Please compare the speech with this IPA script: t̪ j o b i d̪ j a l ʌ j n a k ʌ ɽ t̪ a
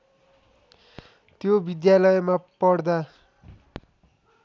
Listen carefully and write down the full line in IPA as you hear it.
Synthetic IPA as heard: t̪ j o b i d̪ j a l ʌ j m a p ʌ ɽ d̪ a